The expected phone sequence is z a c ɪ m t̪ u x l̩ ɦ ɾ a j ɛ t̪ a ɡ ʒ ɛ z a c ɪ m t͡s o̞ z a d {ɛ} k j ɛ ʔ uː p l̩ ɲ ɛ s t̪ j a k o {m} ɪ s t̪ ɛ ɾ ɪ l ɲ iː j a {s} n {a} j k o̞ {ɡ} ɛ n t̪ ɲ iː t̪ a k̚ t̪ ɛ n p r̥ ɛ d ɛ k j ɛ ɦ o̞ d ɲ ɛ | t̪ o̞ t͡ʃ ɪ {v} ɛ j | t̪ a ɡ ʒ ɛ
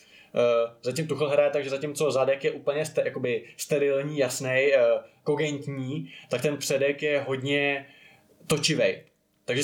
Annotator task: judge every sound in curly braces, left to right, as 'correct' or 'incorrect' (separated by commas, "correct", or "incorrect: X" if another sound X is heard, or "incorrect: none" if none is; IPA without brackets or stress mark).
correct, incorrect: b, correct, incorrect: ɛ, correct, correct